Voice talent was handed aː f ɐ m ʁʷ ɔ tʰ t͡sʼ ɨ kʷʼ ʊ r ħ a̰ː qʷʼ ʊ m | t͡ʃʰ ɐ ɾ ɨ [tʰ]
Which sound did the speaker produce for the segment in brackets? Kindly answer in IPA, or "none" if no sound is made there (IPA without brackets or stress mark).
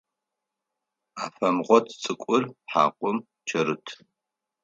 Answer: tʰ